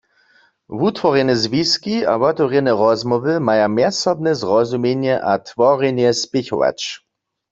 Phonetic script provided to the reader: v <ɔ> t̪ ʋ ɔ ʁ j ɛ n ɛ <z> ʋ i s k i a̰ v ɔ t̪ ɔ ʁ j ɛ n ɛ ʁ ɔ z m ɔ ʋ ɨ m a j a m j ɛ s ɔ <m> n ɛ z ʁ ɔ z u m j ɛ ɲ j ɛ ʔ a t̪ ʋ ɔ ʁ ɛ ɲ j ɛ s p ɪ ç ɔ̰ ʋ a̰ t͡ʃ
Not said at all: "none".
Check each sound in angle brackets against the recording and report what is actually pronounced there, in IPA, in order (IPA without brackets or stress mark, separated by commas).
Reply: u, z, b